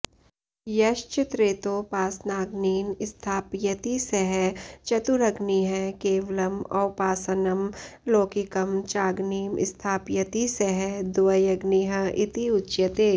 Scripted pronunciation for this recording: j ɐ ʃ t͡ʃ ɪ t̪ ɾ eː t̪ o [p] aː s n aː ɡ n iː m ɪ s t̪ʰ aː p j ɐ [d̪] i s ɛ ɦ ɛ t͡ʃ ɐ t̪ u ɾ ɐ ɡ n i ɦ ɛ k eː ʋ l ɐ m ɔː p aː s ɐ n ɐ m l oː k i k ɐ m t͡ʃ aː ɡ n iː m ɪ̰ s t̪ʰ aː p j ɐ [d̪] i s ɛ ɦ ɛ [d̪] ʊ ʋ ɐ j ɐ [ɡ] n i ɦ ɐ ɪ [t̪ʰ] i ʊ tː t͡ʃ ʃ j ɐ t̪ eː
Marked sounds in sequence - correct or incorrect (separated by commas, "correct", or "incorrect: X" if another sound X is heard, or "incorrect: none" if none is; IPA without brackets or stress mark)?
correct, incorrect: t̪, incorrect: t̪, correct, correct, incorrect: t̪